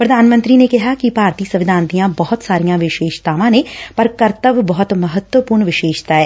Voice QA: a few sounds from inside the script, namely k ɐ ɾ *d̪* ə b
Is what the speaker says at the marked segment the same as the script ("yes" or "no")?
no